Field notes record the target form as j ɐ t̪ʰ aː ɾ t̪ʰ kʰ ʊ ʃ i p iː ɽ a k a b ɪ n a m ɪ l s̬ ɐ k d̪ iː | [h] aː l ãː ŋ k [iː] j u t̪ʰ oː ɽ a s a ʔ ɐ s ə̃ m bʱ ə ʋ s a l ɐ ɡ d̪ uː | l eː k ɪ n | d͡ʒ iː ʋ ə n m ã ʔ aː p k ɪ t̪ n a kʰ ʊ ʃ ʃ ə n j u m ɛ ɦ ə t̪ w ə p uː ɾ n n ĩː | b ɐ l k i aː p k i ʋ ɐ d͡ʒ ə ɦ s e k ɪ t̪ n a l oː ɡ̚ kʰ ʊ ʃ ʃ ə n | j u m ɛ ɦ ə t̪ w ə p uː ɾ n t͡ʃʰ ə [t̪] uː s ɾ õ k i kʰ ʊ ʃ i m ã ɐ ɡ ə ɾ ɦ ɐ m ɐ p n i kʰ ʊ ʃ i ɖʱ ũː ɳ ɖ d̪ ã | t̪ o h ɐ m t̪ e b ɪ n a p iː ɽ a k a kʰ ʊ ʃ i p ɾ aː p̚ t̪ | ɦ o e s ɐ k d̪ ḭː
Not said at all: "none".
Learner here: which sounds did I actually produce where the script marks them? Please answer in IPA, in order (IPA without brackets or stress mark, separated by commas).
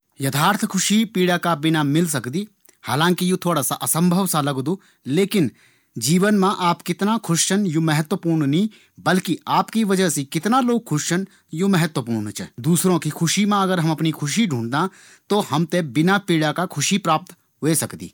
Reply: h, i, d̪